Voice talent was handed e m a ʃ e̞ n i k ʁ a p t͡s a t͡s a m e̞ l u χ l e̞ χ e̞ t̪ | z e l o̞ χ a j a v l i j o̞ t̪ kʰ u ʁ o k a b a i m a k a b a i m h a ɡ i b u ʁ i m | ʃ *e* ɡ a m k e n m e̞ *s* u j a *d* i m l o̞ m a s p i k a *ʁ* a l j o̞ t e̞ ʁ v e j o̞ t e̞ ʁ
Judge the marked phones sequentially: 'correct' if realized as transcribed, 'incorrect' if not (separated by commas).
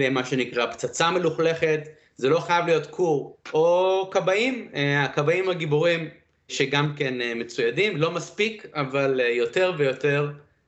correct, incorrect, correct, incorrect